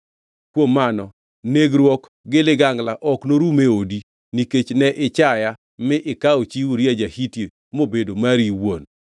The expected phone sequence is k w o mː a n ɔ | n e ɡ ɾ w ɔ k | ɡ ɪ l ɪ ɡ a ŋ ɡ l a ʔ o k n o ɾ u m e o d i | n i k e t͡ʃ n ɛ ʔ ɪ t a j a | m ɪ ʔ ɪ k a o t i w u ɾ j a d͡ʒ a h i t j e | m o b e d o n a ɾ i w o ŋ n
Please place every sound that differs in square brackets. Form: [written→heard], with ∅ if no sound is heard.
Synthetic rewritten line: k w o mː a n ɔ | n e ɡ ɾ w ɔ k | ɡ ɪ l ɪ ɡ a ŋ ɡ l a ʔ [o→ɔ] k n o ɾ u m e o d i | n i k e t͡ʃ n ɛ ʔ ɪ [t→t͡ʃ] a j a | m ɪ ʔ ɪ k a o [t→t͡ʃ] i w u ɾ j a d͡ʒ a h i t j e | m o b e d o [n→m] a ɾ i w o [ŋ→∅] n

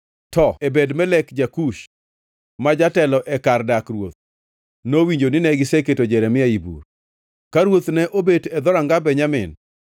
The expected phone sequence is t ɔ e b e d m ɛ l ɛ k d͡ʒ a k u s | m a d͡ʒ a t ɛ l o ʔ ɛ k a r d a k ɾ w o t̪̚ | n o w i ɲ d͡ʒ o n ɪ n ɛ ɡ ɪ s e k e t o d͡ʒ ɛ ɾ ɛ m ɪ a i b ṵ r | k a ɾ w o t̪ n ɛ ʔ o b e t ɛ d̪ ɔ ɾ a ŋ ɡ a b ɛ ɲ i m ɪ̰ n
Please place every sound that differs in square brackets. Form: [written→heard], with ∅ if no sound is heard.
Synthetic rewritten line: t ɔ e b e d m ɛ l ɛ k d͡ʒ a k u [s→ʃ] | m a d͡ʒ a t ɛ l [o→ɔ] ʔ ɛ k a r d a k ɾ w o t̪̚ | n o w i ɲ d͡ʒ o n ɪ n ɛ ɡ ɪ s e k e t o d͡ʒ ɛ ɾ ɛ m ɪ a i b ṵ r | k a ɾ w o t̪ n ɛ ʔ o b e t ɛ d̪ ɔ ɾ a ŋ ɡ a b ɛ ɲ [i→a] m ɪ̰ n

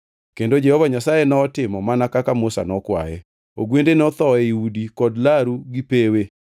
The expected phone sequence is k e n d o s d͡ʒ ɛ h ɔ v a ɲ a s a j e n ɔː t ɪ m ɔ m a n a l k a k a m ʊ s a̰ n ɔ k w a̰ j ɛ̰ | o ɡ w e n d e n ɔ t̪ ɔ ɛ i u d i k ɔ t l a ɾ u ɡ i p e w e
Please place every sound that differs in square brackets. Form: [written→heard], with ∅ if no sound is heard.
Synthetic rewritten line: k e n d o [s→∅] d͡ʒ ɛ h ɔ v a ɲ a s a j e n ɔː t ɪ m ɔ m a n a [l→∅] k a k a m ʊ s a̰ n ɔ k w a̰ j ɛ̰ | o ɡ w e n d e n ɔ t̪ ɔ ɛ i u d i k ɔ [t→d] l a ɾ u ɡ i p e w e

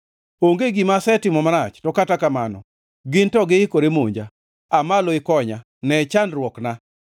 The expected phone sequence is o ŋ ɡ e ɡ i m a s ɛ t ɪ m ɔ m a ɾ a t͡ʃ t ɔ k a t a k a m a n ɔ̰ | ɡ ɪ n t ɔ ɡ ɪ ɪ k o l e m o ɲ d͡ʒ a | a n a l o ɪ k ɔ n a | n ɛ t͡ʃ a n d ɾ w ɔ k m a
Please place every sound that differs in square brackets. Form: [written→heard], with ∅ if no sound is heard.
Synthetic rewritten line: o ŋ ɡ e ɡ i m a s ɛ t ɪ m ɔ m a ɾ a t͡ʃ t ɔ k a t a k a m a n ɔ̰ | ɡ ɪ n t ɔ ɡ ɪ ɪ k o [l→ɾ] e m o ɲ d͡ʒ a | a [n→m] a l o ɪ k ɔ [n→ɲ] a | n ɛ t͡ʃ a n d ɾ w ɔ k [m→n] a

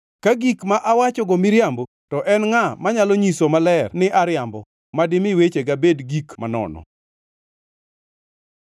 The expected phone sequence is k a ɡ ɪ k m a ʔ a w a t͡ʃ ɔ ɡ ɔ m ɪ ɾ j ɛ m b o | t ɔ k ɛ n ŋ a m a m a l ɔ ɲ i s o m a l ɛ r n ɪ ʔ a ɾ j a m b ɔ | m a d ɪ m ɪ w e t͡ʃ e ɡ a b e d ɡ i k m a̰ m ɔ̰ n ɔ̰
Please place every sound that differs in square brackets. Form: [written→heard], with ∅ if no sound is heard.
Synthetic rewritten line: k a ɡ [ɪ→i] k m a ʔ a w a t͡ʃ ɔ ɡ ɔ m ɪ ɾ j [ɛ→a] m b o | t ɔ [k→ʔ] ɛ n ŋ a m a [m→ɲ] a l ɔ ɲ i s o m a l ɛ r n ɪ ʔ a ɾ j a m b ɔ | m a d ɪ m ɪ w e t͡ʃ e ɡ a b e d ɡ i k m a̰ [m→n] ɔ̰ n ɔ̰

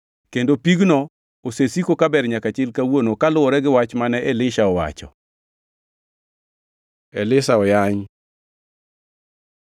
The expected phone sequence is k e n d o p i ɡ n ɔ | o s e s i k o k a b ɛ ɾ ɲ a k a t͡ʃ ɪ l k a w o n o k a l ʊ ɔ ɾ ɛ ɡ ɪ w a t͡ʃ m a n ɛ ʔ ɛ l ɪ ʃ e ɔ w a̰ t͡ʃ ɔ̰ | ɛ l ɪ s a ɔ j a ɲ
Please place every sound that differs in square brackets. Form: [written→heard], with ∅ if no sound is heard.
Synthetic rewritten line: k e n d o p i ɡ n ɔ | o s e s i k o k a b ɛ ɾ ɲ a k a t͡ʃ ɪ l k a w o n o k a l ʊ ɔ ɾ ɛ ɡ ɪ w a t͡ʃ m a n ɛ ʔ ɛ l ɪ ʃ [e→a] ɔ w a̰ t͡ʃ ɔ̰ | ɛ l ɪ s a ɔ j a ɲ

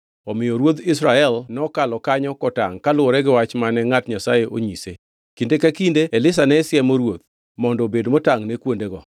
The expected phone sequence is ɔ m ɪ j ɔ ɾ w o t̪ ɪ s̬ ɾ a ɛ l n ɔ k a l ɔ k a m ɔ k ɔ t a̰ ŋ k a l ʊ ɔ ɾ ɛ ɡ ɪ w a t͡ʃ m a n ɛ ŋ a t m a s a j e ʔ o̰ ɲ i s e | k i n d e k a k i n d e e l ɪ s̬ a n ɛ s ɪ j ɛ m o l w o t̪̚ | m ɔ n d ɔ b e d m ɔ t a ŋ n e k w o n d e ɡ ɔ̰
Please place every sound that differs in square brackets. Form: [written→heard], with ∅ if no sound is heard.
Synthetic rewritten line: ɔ m ɪ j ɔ ɾ w o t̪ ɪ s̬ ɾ a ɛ l n ɔ k a l ɔ k a [m→ɲ] ɔ k ɔ t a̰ ŋ k a l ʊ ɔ ɾ ɛ ɡ ɪ w a t͡ʃ m a n ɛ ŋ a t [m→ɲ] a s a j e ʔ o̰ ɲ i s e | k i n d e k a k i n d e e l ɪ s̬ a n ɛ s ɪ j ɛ m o [l→ɾ] w o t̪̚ | m ɔ n d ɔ b e d m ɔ t a ŋ n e k w o n d e ɡ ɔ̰

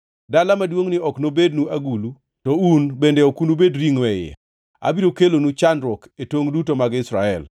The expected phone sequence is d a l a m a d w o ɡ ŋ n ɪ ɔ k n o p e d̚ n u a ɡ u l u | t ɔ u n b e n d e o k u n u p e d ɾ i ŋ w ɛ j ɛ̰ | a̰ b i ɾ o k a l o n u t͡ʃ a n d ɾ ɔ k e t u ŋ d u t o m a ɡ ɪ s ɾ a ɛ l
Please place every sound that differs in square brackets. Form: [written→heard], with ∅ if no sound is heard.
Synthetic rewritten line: d a l a m a d w o [ɡ→∅] ŋ n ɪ ɔ k n o [p→b] e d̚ n u a ɡ u l u | t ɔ u n b e n d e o k u n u [p→b] e d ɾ i ŋ w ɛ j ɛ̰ | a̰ b i ɾ o k [a→e] l o n u t͡ʃ a n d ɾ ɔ k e t [u→o] ŋ d u t o m a ɡ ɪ s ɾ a ɛ l

